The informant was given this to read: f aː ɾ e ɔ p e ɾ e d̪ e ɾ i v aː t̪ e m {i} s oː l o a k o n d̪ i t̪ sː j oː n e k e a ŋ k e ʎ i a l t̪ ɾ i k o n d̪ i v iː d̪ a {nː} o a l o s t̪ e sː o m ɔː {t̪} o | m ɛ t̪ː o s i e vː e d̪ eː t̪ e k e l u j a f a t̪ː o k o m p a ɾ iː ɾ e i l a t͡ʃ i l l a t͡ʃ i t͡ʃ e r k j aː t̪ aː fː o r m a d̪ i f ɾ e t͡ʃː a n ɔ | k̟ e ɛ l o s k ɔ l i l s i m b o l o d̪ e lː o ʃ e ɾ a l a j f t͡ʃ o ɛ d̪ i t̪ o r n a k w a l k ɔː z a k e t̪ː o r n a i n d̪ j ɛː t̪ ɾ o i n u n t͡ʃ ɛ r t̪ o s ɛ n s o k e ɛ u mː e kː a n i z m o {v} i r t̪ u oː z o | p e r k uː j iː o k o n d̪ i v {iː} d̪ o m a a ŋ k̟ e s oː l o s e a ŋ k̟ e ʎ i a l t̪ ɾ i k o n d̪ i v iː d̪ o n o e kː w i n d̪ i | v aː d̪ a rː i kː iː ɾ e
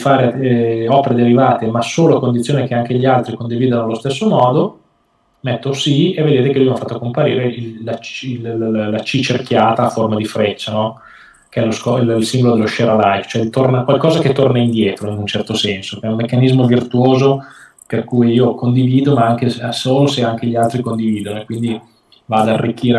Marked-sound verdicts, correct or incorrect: incorrect, incorrect, incorrect, correct, correct

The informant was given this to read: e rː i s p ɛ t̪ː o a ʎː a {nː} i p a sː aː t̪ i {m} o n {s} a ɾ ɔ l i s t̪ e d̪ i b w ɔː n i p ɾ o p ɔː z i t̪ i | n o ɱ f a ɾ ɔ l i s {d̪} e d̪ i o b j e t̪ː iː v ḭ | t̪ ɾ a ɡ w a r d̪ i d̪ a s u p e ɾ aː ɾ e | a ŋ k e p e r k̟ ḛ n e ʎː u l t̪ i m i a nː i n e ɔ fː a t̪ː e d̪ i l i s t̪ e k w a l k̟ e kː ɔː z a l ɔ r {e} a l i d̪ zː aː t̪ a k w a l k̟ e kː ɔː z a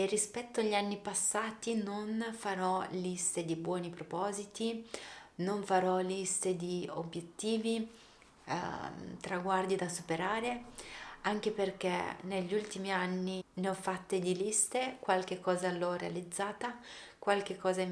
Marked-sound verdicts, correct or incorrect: correct, incorrect, incorrect, incorrect, correct

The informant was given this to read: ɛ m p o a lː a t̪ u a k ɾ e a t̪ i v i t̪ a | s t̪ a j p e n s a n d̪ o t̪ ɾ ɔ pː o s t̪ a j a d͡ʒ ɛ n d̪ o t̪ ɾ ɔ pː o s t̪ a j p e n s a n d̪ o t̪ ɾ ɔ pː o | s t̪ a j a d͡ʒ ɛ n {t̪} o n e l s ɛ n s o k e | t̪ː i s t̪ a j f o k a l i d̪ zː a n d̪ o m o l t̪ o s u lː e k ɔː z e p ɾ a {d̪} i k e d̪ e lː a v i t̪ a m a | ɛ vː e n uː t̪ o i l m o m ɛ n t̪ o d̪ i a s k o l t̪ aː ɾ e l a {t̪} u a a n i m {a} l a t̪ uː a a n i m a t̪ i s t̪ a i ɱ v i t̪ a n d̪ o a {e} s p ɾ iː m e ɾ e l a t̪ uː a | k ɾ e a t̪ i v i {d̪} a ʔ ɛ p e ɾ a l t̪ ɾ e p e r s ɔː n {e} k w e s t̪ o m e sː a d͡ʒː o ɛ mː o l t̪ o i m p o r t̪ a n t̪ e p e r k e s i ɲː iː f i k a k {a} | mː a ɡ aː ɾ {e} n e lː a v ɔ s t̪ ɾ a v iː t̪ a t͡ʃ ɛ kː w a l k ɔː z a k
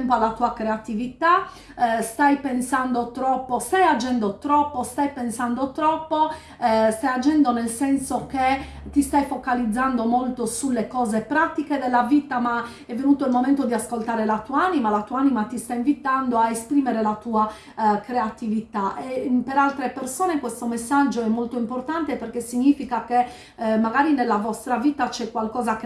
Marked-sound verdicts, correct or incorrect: incorrect, incorrect, correct, correct, correct, incorrect, correct, incorrect, incorrect

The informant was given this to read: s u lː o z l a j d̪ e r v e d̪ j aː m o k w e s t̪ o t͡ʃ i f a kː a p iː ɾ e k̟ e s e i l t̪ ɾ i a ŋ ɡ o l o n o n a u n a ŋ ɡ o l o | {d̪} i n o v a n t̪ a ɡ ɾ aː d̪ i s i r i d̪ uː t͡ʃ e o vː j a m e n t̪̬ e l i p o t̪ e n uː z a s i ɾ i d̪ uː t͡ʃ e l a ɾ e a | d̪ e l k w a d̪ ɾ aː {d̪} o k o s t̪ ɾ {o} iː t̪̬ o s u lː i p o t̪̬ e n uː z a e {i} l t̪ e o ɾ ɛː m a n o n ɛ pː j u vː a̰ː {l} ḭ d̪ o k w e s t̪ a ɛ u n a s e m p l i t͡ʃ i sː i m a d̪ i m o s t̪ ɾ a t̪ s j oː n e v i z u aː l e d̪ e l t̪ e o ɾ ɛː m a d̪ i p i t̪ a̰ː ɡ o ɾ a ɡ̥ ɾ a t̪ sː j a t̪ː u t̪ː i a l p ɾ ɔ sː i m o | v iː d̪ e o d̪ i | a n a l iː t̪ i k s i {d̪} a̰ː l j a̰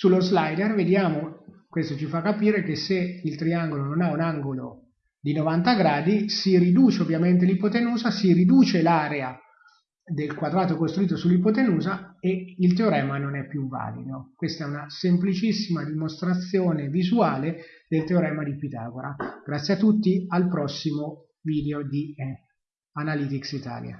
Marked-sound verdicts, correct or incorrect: correct, incorrect, incorrect, correct, correct, incorrect

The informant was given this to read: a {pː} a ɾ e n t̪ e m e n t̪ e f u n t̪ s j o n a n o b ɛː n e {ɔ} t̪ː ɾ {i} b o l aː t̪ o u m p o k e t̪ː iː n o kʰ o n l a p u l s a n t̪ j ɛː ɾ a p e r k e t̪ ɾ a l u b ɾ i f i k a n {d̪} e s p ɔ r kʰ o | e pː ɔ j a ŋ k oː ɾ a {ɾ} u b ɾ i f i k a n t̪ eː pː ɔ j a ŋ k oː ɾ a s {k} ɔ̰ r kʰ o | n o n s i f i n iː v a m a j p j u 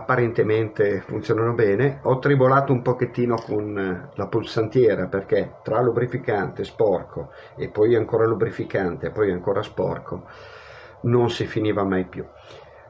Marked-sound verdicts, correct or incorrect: correct, correct, correct, incorrect, incorrect, incorrect

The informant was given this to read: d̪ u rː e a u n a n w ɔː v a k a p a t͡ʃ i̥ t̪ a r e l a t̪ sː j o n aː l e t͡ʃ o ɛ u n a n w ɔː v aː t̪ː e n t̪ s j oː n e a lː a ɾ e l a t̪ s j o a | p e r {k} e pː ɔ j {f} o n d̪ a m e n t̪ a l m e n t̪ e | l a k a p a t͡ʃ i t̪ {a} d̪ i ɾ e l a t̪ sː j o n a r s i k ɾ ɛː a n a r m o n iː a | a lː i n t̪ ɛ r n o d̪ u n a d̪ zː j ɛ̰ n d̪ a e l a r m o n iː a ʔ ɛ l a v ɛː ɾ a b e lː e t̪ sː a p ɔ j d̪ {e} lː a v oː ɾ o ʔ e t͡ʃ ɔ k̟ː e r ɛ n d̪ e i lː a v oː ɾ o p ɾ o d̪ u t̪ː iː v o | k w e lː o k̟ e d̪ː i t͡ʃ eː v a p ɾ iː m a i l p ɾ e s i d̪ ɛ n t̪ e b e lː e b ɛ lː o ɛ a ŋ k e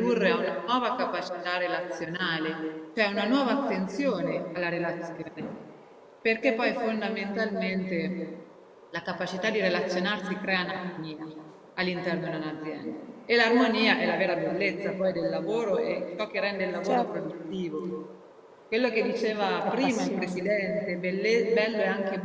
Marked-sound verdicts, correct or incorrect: correct, correct, correct, correct

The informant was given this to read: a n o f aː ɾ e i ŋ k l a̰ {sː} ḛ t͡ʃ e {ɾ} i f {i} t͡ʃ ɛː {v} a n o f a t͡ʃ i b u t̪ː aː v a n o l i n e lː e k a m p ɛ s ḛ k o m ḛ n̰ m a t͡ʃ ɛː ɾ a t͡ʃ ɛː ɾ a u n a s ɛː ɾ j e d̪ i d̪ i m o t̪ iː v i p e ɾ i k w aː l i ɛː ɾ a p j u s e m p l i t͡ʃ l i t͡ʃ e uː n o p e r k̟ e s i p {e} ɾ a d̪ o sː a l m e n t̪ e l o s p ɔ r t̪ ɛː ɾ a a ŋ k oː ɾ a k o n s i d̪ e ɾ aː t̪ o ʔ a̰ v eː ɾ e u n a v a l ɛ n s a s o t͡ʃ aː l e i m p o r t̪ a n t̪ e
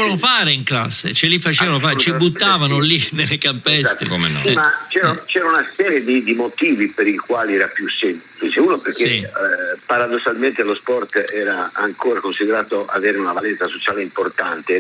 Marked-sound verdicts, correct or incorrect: correct, incorrect, incorrect, correct, incorrect

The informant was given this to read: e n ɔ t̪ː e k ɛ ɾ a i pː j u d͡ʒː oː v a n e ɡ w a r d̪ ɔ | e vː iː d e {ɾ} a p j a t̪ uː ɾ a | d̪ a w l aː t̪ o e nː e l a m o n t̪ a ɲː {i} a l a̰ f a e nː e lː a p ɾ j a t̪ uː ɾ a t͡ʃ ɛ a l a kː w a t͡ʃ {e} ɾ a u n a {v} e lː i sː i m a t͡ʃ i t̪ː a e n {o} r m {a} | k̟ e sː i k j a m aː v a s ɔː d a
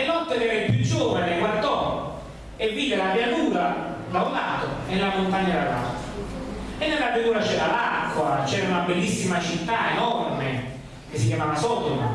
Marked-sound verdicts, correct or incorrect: incorrect, incorrect, incorrect, incorrect, incorrect, incorrect

